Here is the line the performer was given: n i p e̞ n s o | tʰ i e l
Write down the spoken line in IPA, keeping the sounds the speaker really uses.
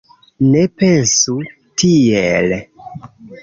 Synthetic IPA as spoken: n e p e̞ n s u | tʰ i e l